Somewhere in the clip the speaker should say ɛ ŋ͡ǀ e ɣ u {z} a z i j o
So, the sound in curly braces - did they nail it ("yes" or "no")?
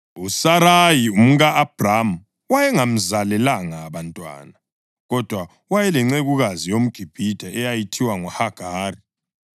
no